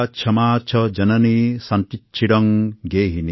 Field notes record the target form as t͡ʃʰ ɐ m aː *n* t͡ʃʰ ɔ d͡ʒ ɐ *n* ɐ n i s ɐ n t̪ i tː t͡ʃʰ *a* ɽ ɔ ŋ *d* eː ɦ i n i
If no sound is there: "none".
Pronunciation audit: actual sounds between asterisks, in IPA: none, n, i, ɡ

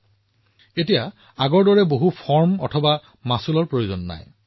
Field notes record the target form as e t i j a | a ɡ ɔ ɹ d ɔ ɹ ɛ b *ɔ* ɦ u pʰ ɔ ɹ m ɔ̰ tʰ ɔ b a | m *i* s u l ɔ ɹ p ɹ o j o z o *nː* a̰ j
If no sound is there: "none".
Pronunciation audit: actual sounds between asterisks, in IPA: o, a, nː

